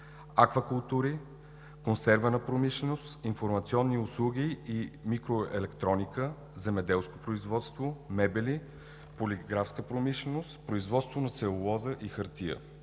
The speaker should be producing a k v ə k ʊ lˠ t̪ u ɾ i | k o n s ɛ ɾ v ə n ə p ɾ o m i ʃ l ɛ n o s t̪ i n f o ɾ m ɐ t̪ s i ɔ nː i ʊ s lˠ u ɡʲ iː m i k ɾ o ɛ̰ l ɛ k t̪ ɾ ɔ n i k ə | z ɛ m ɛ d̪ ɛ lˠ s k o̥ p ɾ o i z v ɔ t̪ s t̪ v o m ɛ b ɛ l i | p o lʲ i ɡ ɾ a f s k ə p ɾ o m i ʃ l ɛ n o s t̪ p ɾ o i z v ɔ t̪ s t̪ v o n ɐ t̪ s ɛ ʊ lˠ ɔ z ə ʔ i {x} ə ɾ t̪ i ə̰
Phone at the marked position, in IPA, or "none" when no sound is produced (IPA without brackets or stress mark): x